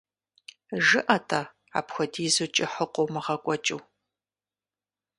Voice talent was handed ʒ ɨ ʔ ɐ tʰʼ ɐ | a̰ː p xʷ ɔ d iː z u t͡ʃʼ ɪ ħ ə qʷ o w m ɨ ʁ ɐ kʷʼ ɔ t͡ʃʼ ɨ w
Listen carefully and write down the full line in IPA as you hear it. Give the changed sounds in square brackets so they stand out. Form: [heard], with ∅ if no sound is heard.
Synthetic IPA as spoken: ʒ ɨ ʔ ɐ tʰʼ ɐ | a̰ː p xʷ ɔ d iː z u t͡ʃʼ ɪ ħ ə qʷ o w m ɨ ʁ ɐ kʷʼ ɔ t͡ʃʼ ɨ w